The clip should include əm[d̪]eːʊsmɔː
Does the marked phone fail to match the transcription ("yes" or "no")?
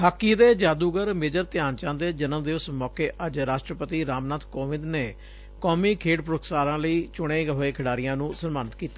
no